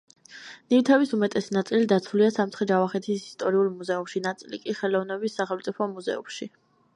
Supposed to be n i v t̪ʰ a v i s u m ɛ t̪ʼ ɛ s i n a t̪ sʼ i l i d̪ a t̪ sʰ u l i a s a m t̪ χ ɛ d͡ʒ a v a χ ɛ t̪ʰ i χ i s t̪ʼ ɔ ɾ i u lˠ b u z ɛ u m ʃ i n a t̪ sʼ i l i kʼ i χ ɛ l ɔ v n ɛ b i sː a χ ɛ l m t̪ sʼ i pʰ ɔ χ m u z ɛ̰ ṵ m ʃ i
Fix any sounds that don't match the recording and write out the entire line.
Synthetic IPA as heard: n i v t̪ʰ ɛ v i s u m ɛ t̪ʼ ɛ s i n a t̪ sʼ i l i d̪ a t̪ sʰ u l i a s a m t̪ χ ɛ d͡ʒ a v a χ ɛ t̪ʰ i s i s t̪ʼ ɔ ɾ i u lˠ m u z ɛ u m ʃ i n a t̪ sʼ i l i kʼ i χ ɛ l ɔ v n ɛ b i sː a χ ɛ l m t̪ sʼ i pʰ ɔ m u z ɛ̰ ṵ m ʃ i